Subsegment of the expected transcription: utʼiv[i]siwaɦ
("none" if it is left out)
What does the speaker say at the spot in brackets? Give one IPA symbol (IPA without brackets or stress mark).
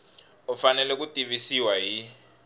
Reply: i